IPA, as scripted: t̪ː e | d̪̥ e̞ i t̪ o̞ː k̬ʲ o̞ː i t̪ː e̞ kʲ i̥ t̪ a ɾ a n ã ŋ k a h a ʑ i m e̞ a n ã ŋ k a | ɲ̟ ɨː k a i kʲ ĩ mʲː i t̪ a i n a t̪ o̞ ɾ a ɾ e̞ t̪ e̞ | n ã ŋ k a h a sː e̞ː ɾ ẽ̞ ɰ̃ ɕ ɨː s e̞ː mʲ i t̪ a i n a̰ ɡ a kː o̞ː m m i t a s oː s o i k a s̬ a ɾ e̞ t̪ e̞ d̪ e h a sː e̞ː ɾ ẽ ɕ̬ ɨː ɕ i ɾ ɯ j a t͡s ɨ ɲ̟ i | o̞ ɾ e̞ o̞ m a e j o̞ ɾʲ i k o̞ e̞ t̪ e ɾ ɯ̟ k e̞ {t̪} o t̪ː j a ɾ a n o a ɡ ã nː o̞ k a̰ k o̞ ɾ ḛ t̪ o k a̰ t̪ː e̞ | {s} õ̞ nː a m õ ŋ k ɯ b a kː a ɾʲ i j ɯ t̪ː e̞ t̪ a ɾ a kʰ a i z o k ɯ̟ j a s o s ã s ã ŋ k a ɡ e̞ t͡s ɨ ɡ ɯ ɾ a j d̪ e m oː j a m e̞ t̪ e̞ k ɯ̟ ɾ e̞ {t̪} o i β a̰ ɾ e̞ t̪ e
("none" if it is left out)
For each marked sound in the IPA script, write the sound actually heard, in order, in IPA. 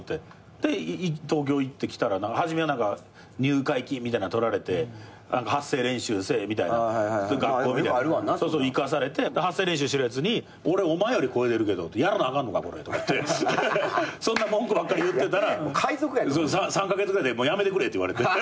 d̪, s, t̪

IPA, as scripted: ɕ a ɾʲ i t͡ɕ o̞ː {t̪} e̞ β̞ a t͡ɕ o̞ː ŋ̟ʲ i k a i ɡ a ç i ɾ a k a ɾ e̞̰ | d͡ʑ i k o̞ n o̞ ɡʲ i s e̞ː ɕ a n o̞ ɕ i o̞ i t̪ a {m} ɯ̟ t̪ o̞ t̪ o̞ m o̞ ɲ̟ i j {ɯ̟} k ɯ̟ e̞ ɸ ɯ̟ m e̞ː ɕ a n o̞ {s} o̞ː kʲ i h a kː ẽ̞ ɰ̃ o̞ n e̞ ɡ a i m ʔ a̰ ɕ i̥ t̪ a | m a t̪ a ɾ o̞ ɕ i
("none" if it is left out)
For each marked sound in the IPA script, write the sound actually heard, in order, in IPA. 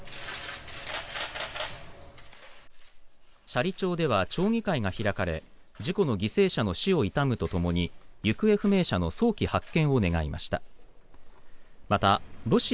d̪, m, ɯ̟, s

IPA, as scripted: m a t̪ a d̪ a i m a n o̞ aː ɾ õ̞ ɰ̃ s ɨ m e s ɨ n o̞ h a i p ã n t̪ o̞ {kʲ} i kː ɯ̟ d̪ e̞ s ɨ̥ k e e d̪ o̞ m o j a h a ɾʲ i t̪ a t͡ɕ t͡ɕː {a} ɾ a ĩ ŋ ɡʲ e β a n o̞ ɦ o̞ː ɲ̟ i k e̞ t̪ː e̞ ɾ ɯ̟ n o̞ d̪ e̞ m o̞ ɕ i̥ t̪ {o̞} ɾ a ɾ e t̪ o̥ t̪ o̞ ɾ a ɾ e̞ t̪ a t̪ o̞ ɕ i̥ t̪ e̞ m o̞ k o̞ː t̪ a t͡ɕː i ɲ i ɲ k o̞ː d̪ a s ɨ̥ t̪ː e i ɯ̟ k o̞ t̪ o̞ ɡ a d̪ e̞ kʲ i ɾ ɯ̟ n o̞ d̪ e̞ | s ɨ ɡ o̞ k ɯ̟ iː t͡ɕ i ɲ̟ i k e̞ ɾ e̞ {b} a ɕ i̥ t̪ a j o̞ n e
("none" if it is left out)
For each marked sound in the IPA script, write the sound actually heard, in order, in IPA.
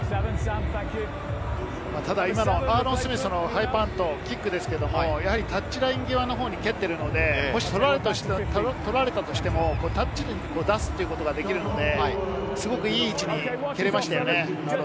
kʲ, i, o̞, m

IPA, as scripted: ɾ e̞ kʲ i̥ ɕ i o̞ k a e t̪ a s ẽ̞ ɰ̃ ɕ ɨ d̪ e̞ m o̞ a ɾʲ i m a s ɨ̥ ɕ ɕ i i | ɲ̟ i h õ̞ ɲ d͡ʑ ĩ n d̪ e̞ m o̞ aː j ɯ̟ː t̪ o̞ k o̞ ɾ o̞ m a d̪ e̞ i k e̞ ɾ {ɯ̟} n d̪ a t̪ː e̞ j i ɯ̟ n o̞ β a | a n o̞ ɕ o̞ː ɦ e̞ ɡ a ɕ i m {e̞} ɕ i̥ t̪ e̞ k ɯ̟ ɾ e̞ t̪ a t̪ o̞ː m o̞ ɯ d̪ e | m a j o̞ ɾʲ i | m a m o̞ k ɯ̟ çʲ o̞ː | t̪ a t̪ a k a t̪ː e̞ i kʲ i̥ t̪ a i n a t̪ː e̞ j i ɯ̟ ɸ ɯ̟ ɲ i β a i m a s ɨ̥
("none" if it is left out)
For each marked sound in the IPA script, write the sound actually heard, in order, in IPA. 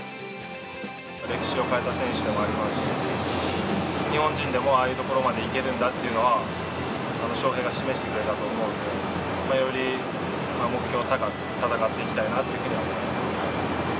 ɯ̟̃, e̞

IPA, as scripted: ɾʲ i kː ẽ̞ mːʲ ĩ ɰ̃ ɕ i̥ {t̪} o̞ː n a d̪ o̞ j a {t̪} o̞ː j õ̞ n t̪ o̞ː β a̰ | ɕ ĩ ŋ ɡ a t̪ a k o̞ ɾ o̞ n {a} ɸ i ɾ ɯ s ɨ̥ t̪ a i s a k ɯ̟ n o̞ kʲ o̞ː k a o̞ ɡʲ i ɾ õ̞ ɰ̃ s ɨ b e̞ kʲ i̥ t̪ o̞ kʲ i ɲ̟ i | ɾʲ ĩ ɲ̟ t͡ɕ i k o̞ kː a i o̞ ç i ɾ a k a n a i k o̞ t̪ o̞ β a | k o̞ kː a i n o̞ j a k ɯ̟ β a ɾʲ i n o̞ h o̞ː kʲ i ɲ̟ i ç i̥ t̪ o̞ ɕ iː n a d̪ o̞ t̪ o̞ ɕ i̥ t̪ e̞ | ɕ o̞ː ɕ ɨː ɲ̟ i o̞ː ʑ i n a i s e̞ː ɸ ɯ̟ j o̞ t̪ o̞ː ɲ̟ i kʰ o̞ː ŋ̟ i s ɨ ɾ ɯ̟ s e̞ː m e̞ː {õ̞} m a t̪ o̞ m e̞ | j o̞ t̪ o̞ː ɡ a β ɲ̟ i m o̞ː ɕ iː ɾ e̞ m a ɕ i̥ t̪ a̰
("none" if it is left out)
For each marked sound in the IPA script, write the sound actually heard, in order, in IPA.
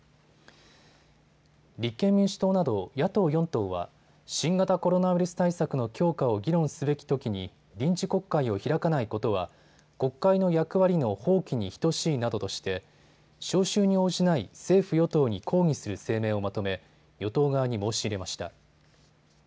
t̪, t̪, a, o̞

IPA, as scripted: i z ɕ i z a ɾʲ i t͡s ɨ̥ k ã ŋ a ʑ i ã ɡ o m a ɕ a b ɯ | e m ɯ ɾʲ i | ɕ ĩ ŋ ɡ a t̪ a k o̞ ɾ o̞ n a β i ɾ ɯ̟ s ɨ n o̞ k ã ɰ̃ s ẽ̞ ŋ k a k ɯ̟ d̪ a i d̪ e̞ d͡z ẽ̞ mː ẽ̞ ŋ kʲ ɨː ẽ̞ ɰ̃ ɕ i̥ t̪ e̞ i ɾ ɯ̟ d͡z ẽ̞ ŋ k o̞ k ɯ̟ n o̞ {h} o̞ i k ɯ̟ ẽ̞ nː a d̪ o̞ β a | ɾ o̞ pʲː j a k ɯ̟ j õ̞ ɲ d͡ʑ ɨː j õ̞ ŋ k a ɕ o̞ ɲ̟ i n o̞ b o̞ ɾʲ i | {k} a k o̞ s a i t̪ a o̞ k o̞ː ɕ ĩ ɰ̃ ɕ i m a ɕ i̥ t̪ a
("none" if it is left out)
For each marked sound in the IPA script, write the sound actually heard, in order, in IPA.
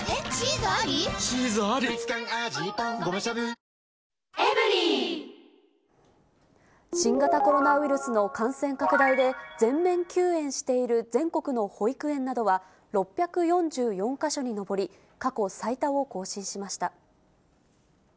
h, k

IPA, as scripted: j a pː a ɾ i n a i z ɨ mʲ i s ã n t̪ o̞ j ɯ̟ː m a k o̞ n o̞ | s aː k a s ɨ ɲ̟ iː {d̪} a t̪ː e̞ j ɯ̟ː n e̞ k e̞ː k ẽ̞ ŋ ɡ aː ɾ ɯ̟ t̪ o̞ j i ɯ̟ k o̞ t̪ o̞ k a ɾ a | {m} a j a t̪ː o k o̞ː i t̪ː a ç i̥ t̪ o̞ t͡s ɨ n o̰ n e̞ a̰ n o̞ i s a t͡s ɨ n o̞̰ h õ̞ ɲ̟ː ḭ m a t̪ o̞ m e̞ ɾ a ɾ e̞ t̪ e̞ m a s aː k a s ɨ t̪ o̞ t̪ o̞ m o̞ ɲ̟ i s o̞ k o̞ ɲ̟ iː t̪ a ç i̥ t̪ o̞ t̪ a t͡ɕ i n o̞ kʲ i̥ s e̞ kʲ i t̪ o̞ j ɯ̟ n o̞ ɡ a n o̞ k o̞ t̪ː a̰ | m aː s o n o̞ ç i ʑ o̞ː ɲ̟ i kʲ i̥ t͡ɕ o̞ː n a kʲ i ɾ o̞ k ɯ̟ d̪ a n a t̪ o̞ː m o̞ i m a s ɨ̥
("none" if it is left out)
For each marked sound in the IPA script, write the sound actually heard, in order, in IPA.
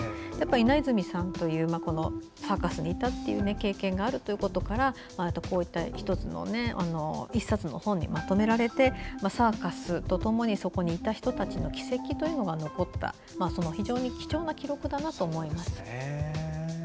t̪, m

